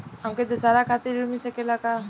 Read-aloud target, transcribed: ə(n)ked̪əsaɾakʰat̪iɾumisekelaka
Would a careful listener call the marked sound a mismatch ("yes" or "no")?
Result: yes